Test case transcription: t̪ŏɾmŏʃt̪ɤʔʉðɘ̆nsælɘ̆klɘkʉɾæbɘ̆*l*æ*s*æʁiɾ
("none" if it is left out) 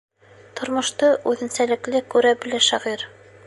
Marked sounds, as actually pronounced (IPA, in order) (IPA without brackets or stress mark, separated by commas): l, ʃ